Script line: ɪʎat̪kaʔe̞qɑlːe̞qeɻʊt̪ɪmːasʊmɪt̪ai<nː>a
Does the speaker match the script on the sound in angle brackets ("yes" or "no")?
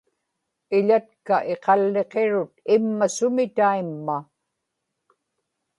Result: no